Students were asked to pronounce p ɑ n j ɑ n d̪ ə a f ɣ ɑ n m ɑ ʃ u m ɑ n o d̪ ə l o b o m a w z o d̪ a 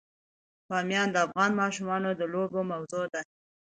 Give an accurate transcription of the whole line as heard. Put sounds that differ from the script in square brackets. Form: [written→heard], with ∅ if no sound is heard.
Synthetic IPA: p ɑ [n→m] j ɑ n d̪ ə a f ɣ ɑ n m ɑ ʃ u m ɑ n o d̪ ə l o b o m a w z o d̪ a